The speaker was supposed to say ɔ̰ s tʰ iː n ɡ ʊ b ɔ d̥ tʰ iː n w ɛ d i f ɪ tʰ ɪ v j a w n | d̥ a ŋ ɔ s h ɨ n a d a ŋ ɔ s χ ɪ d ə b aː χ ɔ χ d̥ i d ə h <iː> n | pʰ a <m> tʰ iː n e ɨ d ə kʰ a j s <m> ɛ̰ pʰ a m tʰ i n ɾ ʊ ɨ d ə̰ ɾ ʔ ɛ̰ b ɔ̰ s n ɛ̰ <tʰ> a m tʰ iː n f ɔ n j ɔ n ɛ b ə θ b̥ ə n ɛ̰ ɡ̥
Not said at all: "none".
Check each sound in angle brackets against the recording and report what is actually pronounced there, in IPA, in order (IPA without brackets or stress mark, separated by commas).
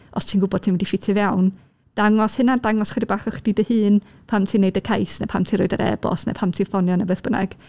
ɨː, m, n, pʰ